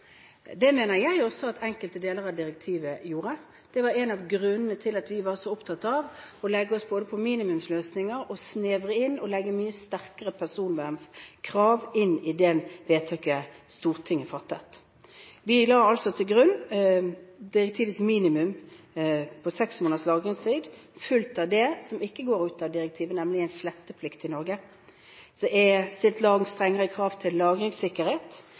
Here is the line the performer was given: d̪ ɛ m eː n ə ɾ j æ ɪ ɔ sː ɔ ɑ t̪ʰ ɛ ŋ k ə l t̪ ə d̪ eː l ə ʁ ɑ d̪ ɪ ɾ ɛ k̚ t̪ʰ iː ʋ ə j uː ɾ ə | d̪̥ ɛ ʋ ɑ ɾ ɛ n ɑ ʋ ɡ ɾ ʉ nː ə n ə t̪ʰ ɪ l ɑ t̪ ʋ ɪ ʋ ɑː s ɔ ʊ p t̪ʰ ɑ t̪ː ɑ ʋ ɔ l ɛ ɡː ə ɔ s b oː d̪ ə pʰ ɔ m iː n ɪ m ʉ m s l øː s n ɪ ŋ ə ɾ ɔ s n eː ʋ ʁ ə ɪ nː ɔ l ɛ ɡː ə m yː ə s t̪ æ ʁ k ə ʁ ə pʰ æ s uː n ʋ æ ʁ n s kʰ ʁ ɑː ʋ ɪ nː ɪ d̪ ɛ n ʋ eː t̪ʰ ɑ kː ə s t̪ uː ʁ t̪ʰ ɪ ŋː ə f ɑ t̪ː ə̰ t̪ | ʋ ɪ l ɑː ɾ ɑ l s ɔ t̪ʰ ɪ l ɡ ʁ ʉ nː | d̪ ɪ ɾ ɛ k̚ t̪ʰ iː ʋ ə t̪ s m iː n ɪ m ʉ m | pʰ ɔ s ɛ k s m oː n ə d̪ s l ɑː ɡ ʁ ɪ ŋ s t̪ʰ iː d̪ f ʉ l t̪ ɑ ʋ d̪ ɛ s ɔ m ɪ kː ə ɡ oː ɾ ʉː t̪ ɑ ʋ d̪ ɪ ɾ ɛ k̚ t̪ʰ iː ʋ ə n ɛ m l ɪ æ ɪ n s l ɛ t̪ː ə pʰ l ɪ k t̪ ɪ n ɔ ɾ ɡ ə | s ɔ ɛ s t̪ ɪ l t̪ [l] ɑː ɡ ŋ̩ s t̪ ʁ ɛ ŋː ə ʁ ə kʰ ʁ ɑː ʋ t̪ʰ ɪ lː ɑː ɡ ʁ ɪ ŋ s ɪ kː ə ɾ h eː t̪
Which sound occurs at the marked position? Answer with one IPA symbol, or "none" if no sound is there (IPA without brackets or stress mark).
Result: l